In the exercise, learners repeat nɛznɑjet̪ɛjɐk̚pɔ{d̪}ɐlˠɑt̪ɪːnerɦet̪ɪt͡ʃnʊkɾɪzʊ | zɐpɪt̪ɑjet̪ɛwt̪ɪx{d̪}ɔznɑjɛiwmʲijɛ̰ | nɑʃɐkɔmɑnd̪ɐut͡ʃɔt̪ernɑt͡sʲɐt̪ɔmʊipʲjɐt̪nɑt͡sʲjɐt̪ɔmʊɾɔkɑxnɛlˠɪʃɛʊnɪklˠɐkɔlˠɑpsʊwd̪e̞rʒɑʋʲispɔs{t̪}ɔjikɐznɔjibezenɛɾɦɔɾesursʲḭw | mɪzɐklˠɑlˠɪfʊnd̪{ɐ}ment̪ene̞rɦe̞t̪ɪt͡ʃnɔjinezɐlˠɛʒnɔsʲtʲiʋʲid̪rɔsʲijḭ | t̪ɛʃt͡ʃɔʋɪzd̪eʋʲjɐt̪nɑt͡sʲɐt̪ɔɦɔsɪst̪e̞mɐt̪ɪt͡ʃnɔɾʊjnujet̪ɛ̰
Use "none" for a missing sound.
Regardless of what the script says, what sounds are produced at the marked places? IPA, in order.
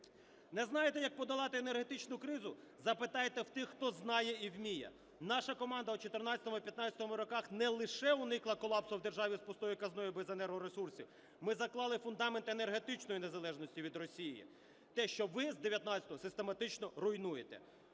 d̪, t̪, t̪, ɑ

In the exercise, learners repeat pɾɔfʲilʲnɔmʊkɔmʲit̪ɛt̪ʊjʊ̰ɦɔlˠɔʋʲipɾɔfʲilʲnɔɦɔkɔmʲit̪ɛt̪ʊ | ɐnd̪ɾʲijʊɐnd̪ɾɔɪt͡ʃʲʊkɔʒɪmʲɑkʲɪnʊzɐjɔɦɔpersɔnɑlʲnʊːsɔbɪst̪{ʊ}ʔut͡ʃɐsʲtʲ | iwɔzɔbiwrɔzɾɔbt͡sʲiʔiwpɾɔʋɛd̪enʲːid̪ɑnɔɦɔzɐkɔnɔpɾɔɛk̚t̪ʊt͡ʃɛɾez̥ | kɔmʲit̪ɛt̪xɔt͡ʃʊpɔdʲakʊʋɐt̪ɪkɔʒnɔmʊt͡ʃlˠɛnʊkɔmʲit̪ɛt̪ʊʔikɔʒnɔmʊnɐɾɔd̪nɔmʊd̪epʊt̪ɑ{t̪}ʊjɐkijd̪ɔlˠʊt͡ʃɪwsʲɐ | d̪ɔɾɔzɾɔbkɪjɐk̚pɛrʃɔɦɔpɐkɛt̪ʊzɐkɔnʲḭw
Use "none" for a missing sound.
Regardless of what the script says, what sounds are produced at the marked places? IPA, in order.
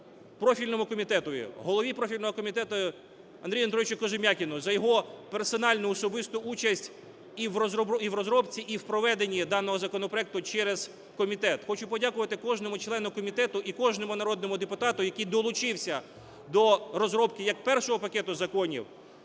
ʊ, t̪

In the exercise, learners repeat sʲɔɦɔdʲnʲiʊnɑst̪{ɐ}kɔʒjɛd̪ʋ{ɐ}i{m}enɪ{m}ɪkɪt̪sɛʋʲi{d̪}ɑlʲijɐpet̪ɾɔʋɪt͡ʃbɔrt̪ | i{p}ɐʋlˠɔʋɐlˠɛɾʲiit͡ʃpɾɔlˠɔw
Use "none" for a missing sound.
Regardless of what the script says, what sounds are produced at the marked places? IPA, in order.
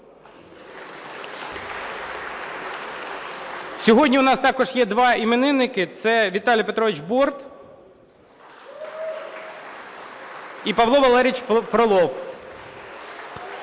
ɑ, ɑ, m, n, t̪, p

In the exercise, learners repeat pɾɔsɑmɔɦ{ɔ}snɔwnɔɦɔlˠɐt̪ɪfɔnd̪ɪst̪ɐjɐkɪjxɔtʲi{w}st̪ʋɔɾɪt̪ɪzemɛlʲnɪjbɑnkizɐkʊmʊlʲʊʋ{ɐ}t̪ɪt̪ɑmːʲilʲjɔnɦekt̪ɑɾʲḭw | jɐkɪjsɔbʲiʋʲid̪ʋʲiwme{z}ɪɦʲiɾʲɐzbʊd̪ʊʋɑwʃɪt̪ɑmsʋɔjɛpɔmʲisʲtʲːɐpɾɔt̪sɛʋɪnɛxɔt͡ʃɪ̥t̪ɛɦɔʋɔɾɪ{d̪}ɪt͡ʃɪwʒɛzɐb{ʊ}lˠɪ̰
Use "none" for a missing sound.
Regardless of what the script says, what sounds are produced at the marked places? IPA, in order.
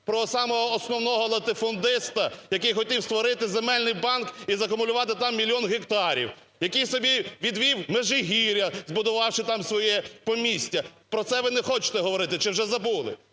ɔː, w, ɑ, ʒ, t̪, u

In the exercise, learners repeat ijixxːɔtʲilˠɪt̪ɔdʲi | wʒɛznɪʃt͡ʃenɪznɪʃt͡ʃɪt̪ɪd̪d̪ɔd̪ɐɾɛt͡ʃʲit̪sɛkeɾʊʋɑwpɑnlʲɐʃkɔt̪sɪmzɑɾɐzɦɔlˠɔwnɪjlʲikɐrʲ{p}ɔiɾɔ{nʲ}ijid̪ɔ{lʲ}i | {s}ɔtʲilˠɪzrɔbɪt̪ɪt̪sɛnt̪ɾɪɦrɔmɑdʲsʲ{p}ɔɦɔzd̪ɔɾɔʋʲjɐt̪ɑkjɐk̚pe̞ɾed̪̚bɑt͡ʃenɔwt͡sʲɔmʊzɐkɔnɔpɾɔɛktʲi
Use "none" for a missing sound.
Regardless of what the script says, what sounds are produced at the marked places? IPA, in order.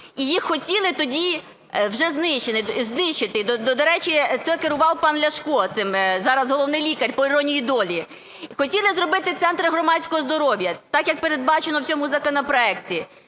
p, nʲ, lʲ, x, k

